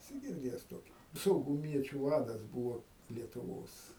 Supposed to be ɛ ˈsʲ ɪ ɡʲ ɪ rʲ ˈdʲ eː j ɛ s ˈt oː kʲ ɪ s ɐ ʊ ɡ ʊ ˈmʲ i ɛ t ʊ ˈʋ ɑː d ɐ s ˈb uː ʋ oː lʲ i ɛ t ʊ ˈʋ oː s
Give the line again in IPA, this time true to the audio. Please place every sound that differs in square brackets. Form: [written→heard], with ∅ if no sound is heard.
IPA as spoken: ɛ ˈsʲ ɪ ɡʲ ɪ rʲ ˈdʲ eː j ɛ s ˈt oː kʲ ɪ s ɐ ʊ ɡ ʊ ˈmʲ i ɛ [t→t͡ʃʲ] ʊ ˈʋ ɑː d ɐ s ˈb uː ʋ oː lʲ i ɛ t ʊ ˈʋ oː s